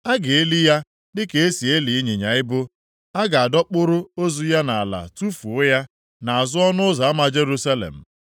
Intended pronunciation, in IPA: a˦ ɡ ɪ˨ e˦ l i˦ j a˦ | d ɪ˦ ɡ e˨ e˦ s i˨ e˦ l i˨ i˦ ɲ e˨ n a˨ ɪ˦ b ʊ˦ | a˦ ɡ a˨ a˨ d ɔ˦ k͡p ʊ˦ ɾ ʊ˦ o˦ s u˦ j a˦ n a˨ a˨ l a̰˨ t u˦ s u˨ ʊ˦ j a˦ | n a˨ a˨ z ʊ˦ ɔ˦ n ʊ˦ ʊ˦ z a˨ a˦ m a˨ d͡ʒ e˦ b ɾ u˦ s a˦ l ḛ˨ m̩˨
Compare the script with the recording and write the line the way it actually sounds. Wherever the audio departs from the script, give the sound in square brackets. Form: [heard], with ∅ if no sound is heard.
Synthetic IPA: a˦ ɡ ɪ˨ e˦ l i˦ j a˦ | d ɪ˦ [k] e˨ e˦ s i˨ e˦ l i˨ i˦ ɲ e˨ [ɲ] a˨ ɪ˦ b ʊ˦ | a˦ ɡ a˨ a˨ d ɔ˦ k͡p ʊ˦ ɾ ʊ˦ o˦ [z] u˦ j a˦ n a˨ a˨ l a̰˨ t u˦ [f] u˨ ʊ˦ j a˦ | n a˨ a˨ z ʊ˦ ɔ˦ n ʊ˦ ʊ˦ z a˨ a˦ m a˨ d͡ʒ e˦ [∅] ɾ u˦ s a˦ l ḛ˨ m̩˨